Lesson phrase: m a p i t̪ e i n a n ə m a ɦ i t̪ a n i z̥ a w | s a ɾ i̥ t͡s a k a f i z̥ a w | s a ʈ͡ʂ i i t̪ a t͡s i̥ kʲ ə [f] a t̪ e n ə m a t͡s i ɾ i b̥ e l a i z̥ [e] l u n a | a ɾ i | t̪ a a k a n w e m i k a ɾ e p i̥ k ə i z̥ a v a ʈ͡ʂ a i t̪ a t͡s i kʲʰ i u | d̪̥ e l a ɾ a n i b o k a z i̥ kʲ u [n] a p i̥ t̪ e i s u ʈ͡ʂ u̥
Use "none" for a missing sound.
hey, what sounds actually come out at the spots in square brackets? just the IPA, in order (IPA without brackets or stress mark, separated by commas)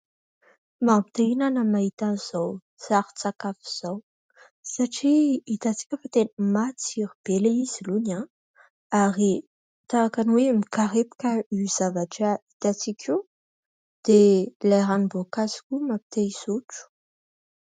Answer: f, i, m